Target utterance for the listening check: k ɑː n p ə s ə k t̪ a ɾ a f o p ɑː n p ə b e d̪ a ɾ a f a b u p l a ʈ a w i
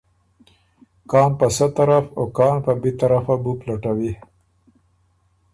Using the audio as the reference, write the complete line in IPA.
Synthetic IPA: k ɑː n p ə s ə t̪ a ɾ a f o k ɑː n p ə b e t̪ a ɾ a f a b u p l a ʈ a w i